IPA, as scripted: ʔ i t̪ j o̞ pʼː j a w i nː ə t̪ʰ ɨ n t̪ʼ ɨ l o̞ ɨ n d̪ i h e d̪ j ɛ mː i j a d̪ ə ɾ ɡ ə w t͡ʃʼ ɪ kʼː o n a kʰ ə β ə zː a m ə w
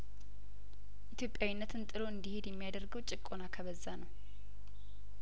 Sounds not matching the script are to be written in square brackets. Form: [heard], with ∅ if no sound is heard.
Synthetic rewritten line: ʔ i t̪ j o̞ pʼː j a w i nː ə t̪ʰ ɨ n t̪ʼ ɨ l o̞ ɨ n d̪ i h e d̪ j ɛ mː i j a d̪ ə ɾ ɡ ə w t͡ʃʼ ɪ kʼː o n a kʰ ə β ə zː a [n] ə w

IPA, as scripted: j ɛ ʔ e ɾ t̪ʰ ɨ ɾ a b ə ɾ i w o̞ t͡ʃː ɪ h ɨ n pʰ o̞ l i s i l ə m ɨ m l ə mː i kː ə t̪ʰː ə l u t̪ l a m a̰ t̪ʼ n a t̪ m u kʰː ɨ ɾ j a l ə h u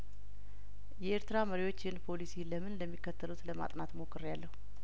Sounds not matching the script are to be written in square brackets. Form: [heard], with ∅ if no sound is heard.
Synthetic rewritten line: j ɛ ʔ e ɾ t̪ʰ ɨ ɾ a [m] ə ɾ i w o̞ t͡ʃː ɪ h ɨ n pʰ o̞ l i s i l ə m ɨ [n] l ə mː i kː ə t̪ʰː ə l u t̪ l [ə] m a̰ t̪ʼ n a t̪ m [o] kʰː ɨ ɾ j a [lː] ə h u

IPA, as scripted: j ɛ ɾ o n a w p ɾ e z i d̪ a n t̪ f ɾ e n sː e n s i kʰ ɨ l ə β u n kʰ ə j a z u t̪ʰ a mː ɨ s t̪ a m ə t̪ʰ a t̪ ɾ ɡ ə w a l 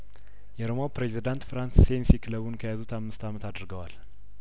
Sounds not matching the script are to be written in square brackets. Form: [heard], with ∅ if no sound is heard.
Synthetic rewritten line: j ɛ ɾ o [m] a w p ɾ e z i d̪ a n t̪ f ɾ [a] n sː e n s i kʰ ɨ l ə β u n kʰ ə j a z u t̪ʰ a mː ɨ s t̪ a m ə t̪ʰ a [d̪] ɾ ɡ ə w a l

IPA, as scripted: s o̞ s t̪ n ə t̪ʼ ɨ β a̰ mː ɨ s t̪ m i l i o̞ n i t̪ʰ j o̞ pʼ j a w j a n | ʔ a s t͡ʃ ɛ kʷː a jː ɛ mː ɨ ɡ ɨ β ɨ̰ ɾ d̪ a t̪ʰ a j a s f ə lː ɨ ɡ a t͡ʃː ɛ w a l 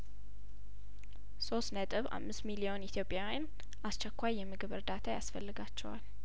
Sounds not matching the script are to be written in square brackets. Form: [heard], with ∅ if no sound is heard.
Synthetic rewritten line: s o̞ s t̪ n ə t̪ʼ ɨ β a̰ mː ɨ s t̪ m i l i o̞ n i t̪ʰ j o̞ pʼ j a w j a n | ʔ a s t͡ʃ ɛ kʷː a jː ɛ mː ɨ ɡ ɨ β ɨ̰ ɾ d̪ a t̪ʰ a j a s f ə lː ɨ ɡ a t͡ʃː ɛ w a l

